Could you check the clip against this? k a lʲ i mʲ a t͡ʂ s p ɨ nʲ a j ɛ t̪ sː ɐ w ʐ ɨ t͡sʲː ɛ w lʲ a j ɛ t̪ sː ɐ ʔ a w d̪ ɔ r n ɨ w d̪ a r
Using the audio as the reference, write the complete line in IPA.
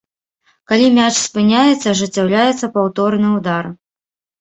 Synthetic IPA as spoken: k a lʲ i mʲ a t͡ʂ s p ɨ nʲ a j ɛ t̪ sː ɐ ʐ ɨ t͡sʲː a w lʲ a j ɛ t̪ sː ɐ p a w t̪ ɔ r n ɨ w d̪ a r